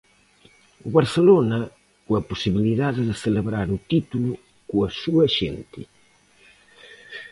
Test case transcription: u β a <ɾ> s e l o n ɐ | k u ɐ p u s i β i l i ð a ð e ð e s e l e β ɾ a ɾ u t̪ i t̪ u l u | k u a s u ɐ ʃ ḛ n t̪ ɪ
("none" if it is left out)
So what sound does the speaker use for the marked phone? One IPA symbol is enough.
ɾ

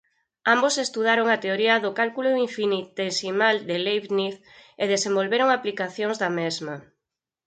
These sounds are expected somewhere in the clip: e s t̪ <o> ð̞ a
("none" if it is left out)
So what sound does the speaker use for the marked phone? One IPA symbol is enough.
u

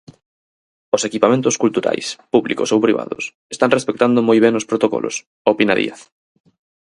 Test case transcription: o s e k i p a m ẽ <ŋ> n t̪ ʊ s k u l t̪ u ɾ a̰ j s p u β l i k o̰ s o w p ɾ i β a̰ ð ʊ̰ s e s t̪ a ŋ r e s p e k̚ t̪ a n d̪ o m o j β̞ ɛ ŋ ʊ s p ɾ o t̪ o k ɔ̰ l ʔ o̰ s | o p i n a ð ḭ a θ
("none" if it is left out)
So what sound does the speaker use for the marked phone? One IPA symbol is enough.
none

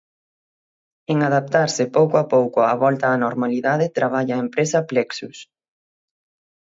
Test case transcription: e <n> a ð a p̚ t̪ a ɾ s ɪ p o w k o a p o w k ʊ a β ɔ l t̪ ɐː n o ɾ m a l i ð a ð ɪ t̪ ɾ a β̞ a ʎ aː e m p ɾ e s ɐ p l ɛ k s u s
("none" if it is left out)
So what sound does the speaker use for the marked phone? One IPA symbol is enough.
ŋ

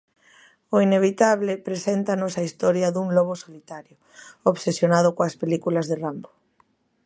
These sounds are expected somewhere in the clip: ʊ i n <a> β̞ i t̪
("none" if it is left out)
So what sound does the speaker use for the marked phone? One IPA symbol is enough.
e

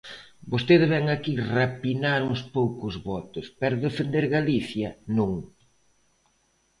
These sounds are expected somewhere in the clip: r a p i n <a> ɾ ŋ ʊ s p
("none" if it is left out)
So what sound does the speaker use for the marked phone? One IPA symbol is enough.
a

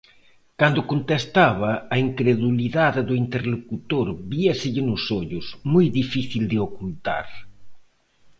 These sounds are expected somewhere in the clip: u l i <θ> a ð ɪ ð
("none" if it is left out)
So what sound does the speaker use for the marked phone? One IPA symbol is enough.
ð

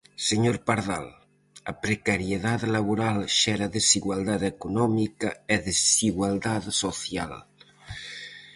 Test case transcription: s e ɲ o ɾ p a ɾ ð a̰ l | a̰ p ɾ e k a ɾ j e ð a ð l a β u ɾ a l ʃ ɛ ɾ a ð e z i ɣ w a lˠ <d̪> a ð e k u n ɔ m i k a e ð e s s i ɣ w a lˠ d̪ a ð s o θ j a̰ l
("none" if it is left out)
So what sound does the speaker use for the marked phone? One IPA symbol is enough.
d̪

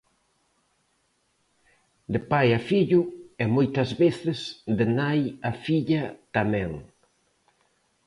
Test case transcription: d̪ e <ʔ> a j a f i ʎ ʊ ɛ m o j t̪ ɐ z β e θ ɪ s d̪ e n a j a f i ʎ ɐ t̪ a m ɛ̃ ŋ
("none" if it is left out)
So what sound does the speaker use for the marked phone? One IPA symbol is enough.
p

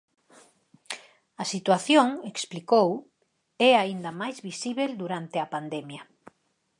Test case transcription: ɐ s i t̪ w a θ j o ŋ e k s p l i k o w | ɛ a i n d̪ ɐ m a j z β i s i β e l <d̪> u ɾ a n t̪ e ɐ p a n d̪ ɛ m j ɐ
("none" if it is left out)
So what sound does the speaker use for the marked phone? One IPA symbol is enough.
d̪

